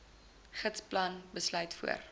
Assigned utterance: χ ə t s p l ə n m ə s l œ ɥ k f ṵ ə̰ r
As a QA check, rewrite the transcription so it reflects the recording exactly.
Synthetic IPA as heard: χ ə t s p l ɐ n b ə s l œ ɥ t f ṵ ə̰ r